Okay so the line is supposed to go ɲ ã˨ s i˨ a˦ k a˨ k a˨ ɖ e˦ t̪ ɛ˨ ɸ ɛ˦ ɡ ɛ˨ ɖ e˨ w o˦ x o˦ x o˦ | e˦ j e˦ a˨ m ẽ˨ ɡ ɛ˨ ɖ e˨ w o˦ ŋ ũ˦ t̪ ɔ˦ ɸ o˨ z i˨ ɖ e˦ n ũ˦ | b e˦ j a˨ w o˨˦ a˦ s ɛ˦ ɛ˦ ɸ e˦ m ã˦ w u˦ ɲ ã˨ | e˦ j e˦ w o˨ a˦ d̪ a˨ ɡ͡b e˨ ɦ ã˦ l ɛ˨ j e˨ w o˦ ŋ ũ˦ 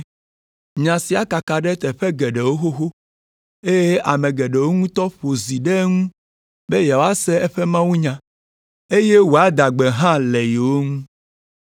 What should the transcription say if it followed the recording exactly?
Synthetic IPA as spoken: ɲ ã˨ s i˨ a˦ k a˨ k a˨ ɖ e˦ t̪ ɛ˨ ɸ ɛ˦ ɡ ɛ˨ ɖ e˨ w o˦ x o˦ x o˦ | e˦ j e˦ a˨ m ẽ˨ ɡ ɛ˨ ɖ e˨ w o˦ ŋ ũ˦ t̪ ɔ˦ ɸ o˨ z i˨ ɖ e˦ ŋ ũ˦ | b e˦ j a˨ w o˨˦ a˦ s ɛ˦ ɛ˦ ɸ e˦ m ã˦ w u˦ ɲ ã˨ | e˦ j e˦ w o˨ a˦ d̪ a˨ ɡ͡b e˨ ɦ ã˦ l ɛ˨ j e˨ w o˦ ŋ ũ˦